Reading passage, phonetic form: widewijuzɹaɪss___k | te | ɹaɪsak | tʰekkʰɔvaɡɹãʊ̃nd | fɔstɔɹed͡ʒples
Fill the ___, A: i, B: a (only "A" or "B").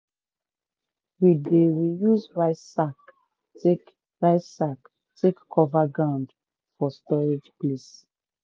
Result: B